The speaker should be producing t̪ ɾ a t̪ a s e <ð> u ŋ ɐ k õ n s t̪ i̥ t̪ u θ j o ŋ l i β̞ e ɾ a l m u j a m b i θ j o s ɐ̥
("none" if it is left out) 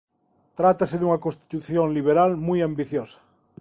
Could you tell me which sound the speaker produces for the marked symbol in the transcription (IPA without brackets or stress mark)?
ð